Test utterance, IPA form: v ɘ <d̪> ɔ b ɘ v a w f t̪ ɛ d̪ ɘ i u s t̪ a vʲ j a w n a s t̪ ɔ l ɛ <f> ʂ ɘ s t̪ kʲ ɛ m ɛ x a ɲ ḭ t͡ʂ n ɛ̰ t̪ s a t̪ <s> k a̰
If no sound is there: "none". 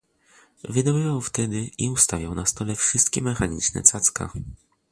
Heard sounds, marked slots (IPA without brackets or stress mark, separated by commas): d̪, f, s